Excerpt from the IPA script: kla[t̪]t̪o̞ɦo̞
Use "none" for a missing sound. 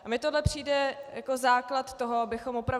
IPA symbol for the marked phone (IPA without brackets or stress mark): t̪